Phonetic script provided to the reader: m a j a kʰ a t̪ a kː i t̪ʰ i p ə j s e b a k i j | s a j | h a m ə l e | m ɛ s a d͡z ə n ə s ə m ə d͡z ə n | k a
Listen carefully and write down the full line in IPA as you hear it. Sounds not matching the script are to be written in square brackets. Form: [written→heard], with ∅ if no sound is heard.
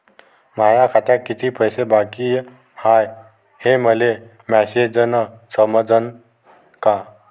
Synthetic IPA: m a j a kʰ a t̪ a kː i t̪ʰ i p ə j s e b a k i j | [s→h] a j | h [a→e] m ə l e | m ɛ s [a→e] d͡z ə n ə s ə m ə d͡z ə n | k a